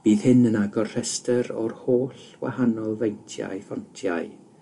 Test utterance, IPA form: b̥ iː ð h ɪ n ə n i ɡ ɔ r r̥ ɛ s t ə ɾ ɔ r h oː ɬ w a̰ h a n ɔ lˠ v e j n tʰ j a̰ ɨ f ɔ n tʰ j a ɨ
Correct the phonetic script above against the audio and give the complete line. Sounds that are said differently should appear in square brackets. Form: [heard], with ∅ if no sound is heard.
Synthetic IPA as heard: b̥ iː ð h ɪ n ə n [a] ɡ ɔ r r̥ ɛ s t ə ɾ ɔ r h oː ɬ w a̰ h a n ɔ lˠ v e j n tʰ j a̰ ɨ f ɔ n tʰ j a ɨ

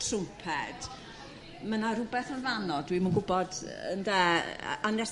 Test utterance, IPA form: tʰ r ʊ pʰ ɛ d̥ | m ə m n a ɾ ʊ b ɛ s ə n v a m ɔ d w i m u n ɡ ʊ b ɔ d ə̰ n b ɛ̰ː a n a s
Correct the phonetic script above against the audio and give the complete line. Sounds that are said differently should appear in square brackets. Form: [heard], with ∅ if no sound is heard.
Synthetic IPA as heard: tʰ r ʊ pʰ ɛ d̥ | m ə [∅] n a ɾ ʊ b ɛ [θ] ə n v a [n] ɔ d w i m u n ɡ ʊ b ɔ d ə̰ n [d] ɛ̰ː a n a s

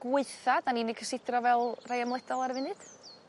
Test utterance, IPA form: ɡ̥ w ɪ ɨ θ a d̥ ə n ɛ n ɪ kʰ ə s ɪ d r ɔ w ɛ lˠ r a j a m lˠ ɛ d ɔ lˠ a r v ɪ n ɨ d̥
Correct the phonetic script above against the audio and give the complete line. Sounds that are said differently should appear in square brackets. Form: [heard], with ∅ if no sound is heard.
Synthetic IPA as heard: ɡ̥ w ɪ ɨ θ a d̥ [a] n [i] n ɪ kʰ ə s ɪ d r ɔ [v] ɛ lˠ r a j a m lˠ ɛ d ɔ lˠ a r v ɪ n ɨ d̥

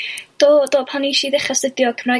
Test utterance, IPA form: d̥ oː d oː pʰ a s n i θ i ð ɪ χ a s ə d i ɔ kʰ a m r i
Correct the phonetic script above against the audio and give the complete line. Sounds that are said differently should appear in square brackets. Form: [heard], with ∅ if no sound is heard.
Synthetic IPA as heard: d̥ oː d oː pʰ a [∅] n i [ʃ] i ð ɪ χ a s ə d [j] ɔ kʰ [ə] m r [a]

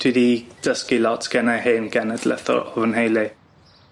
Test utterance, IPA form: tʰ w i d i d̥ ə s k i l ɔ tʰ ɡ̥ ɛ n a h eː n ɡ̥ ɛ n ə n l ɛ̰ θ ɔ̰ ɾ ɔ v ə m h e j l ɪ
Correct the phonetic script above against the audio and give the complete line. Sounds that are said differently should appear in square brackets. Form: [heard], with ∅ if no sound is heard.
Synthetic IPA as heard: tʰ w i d i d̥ ə s k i l ɔ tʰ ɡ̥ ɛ n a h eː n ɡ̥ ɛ n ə [d] l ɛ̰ θ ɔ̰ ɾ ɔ v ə [n] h e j l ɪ

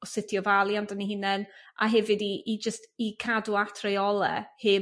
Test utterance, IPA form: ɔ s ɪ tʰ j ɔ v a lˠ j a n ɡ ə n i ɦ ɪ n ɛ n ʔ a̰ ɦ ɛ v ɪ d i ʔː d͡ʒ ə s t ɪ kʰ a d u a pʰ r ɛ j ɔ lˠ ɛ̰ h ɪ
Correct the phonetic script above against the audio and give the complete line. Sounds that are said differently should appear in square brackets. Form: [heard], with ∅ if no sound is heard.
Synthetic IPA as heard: ɔ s ɪ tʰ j ɔ v a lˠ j a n [d] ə n i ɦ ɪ n ɛ n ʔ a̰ ɦ ɛ v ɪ d i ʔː d͡ʒ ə s t [i] kʰ a d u a [tʰ] r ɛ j ɔ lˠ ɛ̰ h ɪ

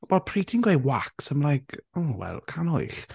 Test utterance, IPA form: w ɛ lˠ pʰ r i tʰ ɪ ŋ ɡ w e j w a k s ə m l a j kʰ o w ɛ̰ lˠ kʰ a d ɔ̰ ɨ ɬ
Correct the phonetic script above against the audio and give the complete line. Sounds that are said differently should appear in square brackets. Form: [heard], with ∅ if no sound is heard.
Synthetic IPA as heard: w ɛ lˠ pʰ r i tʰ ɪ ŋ ɡ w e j w a k s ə m l a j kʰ o w ɛ̰ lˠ kʰ a [n] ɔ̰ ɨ ɬ

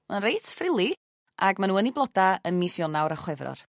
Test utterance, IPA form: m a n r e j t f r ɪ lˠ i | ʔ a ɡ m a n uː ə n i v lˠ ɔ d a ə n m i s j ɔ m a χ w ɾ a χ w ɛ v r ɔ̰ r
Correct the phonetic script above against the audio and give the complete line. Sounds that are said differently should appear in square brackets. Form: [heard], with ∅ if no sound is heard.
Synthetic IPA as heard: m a n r e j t f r ɪ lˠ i | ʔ a ɡ m a n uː ə n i [b] lˠ ɔ d a ə n m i s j ɔ [n] a [∅] w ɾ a χ w ɛ v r ɔ̰ r

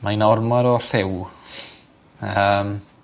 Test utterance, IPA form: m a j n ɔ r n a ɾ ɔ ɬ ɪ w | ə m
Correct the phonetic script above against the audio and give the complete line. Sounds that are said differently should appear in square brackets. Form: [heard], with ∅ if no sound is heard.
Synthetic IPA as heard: m a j n ɔ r [m] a ɾ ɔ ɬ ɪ w | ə m

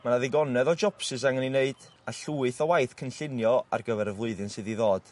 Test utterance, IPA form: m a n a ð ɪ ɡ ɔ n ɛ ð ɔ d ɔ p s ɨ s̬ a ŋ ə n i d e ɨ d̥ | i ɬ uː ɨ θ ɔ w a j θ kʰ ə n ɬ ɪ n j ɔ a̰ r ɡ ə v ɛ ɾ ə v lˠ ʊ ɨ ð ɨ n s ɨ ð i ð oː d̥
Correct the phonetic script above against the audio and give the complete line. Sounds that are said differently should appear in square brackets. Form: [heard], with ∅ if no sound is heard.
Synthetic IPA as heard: m a n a ð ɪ ɡ ɔ n ɛ ð ɔ [d͡ʒ] ɔ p s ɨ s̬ a ŋ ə n i [n] e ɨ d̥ | [a] ɬ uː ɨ θ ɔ w a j θ kʰ ə n ɬ ɪ n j ɔ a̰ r ɡ ə v ɛ ɾ ə v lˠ ʊ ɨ ð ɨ n s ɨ ð i ð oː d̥

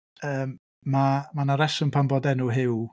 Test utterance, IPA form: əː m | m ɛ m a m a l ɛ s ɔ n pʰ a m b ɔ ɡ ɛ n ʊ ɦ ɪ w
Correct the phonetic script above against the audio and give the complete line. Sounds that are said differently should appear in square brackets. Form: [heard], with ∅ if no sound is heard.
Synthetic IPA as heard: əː m | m [a] m a [n] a [ɾ] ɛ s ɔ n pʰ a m b ɔ [d] ɛ n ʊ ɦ ɪ w

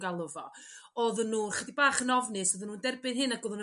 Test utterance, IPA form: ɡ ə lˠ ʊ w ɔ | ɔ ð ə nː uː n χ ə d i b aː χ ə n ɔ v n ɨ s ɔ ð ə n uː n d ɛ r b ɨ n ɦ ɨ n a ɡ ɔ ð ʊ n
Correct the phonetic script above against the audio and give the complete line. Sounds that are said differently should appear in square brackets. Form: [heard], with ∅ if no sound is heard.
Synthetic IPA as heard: ɡ [a] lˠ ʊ [v] ɔ | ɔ ð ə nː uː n χ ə d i b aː χ ə n ɔ v n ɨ s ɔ ð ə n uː n d ɛ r b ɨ n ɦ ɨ n a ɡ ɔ ð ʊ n

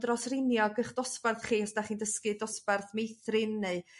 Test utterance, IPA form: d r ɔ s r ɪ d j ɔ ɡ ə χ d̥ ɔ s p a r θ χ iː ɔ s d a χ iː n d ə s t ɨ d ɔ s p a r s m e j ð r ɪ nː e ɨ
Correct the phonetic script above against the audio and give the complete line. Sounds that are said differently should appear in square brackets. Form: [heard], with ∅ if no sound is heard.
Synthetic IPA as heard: d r ɔ s r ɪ [n] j ɔ ɡ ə χ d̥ ɔ s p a r θ χ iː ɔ s d a χ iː n d ə s [k] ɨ d ɔ s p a r [θ] m e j [θ] r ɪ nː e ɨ

